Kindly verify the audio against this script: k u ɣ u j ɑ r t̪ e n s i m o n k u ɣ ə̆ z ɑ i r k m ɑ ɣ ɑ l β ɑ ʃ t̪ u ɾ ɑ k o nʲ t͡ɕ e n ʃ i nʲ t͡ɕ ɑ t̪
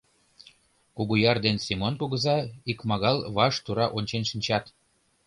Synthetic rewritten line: k u ɣ u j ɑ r d̪ e n s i m o n k u ɣ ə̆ z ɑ i k m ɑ ɣ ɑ l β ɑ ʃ t̪ u ɾ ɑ ʔ o nʲ t͡ɕ e n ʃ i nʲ t͡ɕ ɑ t̪